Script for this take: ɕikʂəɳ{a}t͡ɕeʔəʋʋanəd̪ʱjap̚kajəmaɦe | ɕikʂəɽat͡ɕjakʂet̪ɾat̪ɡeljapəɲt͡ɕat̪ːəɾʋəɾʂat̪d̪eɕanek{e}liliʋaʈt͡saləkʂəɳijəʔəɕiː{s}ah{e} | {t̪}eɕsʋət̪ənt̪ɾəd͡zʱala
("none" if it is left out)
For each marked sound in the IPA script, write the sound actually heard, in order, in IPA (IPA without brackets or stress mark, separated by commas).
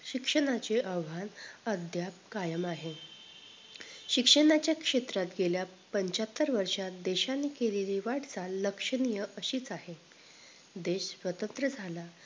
a, e, t͡s, e, d̪